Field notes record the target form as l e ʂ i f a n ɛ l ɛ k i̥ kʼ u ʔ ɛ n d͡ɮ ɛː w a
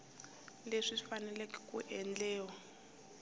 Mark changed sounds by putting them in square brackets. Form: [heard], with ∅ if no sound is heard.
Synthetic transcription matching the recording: l e ʂ i f a n ɛ l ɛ k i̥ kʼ u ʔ ɛ n d͡ɮ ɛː w a